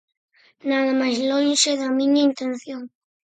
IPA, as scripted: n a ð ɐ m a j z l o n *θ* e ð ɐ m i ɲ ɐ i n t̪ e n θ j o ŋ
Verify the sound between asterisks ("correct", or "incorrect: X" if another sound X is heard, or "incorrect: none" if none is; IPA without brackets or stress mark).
incorrect: ʃ